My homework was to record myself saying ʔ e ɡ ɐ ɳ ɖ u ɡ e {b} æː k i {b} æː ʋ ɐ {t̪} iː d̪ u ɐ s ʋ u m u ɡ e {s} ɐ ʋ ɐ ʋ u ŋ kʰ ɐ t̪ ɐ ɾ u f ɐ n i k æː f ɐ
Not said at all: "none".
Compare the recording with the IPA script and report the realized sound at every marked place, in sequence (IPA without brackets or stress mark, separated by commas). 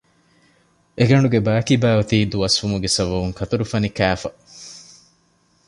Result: b, b, t̪, s